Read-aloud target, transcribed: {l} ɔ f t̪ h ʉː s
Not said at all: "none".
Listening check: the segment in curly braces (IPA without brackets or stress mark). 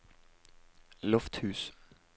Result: l